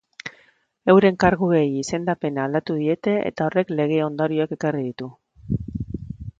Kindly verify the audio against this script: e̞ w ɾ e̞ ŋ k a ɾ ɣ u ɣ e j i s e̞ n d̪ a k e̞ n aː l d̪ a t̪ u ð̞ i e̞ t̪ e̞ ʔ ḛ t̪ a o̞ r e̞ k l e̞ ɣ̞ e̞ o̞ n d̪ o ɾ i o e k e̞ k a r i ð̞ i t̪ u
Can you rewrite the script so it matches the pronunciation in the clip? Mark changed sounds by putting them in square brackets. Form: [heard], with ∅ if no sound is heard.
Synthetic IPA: e̞ w ɾ e̞ ŋ k a ɾ ɣ u ɣ e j i s e̞ n d̪ a [p] e̞ n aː l d̪ a t̪ u ð̞ i e̞ t̪ e̞ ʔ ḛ t̪ a o̞ r e̞ k l e̞ ɣ̞ e̞ o̞ n d̪ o ɾ i o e k e̞ k a r i ð̞ i t̪ u